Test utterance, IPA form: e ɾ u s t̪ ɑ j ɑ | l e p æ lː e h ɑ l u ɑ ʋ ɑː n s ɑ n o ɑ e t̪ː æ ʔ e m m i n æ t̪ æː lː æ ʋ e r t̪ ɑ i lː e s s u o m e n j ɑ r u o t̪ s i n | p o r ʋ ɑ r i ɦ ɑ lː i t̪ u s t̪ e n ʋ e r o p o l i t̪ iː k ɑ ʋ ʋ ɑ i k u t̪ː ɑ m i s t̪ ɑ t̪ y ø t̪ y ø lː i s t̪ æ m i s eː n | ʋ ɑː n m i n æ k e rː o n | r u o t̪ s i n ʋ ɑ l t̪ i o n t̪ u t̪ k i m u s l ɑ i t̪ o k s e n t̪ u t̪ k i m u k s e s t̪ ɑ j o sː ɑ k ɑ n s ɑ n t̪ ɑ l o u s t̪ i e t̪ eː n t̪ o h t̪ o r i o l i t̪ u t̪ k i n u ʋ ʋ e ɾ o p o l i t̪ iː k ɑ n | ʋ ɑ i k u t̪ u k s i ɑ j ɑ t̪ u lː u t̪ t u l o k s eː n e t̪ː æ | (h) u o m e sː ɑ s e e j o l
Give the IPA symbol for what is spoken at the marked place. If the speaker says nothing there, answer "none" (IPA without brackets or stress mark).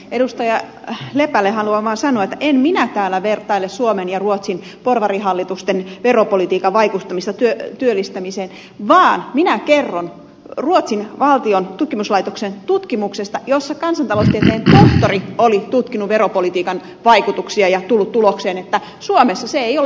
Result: s